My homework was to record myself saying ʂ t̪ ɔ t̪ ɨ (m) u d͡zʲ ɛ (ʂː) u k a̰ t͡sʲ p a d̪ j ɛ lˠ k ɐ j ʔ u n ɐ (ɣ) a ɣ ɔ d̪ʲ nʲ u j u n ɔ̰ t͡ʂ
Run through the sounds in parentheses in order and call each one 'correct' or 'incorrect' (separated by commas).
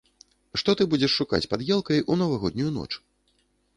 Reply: incorrect, correct, incorrect